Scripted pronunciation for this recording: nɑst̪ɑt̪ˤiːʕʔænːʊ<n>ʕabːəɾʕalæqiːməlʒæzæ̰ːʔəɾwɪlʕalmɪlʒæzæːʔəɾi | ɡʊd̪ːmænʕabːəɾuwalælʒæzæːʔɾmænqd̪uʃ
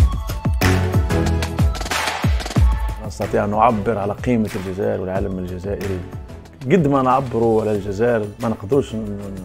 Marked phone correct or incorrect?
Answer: incorrect